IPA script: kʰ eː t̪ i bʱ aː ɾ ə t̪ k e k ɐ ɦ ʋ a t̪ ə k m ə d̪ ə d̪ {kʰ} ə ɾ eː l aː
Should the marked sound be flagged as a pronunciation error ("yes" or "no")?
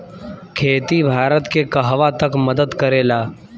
yes